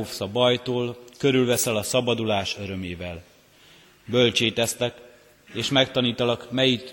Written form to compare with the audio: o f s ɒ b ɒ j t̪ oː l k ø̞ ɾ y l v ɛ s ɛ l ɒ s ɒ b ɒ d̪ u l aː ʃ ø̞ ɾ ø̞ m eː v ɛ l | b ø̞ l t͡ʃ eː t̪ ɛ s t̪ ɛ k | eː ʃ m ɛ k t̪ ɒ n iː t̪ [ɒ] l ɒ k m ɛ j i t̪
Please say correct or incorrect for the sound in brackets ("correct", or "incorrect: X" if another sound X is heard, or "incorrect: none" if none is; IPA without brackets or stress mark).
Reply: correct